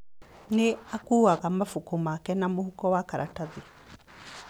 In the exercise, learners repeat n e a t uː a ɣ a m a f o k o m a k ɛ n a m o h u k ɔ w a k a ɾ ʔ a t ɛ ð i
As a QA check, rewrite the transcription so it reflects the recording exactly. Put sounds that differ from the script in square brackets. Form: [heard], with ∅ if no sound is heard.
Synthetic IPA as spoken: n e a [k] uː a ɣ a m a f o k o m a k ɛ n a m o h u k ɔ w a k a ɾ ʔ a t [a] ð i